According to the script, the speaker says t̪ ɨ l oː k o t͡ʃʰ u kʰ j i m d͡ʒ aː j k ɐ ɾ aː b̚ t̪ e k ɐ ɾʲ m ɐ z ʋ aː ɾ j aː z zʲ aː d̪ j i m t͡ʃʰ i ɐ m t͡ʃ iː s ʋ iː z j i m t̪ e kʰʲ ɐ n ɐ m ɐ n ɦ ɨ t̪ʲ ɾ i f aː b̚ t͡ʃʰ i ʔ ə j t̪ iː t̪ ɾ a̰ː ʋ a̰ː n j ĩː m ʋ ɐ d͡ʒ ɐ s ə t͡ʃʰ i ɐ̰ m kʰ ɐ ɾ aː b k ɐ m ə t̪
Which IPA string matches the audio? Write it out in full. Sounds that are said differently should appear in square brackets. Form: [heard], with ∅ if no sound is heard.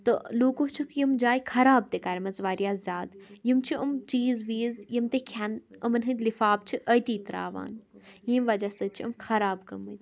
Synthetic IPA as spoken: t̪ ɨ l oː k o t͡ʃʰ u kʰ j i m d͡ʒ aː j [kʰ] ɐ ɾ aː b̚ t̪ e k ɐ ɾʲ m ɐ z ʋ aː ɾ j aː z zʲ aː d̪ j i m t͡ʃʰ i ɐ m t͡ʃ iː [z] ʋ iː z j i m t̪ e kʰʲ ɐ n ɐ m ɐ n ɦ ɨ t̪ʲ [l] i f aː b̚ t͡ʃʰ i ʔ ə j t̪ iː t̪ ɾ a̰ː ʋ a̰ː n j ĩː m ʋ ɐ d͡ʒ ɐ s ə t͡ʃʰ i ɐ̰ m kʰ ɐ ɾ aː b k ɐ m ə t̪